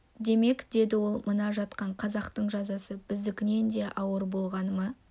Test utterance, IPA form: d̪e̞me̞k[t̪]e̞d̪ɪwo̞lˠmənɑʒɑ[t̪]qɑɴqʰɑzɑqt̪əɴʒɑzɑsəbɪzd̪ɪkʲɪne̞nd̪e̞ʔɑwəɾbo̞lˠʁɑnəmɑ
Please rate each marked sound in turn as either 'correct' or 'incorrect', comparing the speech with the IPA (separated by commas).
incorrect, correct